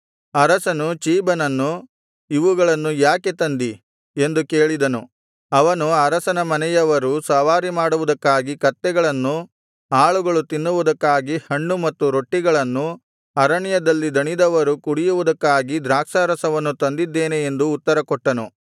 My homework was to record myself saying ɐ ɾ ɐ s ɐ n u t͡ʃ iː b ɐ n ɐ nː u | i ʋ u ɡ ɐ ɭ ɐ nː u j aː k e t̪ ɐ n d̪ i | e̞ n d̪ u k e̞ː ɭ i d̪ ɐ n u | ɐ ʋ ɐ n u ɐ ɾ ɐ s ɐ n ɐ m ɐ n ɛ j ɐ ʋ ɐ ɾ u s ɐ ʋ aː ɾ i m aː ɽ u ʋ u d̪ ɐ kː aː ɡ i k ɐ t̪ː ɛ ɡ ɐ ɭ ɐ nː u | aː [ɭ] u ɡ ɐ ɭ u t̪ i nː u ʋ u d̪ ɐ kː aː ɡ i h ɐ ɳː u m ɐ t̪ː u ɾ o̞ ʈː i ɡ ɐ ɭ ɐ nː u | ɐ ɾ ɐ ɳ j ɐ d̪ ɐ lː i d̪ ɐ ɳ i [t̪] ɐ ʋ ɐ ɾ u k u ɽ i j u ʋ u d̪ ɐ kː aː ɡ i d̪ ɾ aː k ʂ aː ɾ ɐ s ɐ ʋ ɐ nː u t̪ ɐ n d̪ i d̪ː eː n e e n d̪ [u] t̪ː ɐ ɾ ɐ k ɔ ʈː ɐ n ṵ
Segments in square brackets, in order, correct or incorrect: correct, incorrect: d̪, incorrect: uː

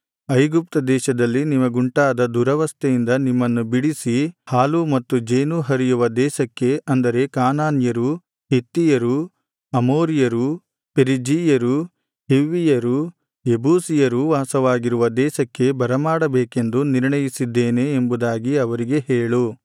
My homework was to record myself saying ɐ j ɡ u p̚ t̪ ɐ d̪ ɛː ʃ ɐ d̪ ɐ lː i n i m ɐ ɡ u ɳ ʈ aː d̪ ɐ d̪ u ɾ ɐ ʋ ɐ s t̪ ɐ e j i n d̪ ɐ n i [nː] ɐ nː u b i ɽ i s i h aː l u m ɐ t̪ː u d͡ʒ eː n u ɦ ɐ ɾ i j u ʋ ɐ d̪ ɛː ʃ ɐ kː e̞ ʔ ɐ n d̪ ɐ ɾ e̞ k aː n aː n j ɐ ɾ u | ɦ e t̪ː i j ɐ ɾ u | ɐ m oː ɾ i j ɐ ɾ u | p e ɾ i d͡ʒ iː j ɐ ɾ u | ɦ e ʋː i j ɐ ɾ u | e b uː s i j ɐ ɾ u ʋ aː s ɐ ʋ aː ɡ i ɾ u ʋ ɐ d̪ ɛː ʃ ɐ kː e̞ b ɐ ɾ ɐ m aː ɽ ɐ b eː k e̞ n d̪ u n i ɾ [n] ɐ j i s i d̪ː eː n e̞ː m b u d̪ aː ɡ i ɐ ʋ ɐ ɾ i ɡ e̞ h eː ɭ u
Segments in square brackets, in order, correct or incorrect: incorrect: mː, incorrect: ɳ

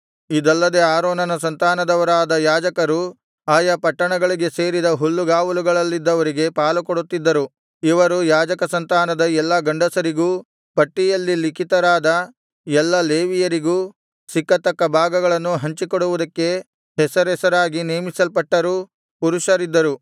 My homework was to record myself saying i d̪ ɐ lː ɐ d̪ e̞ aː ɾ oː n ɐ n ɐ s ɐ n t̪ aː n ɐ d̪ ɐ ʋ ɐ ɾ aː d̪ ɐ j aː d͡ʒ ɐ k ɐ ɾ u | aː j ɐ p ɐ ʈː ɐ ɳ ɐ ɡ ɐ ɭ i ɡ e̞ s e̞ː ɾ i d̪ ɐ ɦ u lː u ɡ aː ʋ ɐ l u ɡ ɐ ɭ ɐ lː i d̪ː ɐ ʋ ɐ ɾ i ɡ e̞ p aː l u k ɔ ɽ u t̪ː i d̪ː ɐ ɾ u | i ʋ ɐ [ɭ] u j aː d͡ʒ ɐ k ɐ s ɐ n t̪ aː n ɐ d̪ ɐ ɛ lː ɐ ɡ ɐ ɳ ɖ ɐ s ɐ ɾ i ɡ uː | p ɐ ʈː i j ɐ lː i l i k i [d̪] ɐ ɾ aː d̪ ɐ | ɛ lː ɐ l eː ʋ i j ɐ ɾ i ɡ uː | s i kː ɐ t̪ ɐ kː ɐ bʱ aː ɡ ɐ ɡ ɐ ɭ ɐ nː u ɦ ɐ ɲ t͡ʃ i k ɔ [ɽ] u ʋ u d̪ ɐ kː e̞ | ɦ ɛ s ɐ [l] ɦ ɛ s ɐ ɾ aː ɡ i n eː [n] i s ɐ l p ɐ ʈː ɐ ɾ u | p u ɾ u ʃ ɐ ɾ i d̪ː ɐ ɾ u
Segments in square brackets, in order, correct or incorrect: incorrect: ɾ, incorrect: t̪, correct, incorrect: ɾ, incorrect: m

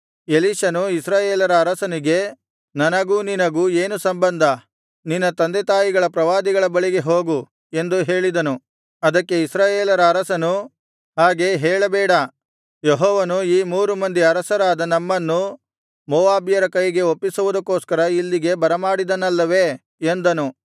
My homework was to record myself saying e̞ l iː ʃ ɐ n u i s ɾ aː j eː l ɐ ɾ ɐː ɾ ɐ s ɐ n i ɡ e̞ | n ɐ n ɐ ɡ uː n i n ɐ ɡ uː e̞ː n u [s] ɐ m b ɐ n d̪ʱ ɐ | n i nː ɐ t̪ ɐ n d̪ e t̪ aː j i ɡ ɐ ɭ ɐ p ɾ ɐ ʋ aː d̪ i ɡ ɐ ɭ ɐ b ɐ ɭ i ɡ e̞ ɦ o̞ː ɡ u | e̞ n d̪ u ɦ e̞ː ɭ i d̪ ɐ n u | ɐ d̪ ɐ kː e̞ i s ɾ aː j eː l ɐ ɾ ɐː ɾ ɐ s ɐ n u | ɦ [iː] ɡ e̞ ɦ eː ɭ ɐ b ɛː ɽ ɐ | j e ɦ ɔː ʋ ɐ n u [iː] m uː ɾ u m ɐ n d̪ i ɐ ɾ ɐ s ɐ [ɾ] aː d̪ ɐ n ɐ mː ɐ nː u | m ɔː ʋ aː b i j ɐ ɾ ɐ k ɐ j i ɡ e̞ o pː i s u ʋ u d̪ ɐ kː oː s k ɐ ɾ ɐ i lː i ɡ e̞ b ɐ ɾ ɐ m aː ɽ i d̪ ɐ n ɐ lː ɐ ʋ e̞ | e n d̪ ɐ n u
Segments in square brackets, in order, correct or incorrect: correct, incorrect: aː, correct, correct

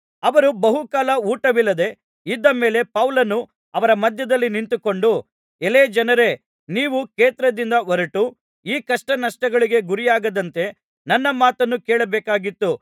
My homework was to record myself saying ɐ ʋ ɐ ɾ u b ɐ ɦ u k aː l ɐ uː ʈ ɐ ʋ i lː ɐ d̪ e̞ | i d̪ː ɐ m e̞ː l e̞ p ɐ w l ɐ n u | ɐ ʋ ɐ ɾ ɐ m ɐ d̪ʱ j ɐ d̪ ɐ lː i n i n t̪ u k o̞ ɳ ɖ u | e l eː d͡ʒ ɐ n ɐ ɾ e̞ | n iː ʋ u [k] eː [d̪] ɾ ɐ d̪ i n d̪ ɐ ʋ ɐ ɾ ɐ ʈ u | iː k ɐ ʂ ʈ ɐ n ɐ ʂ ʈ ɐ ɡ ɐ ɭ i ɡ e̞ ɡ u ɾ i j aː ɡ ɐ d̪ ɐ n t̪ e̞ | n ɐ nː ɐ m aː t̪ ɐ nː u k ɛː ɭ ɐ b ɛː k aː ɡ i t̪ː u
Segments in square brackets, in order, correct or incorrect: correct, incorrect: t̪

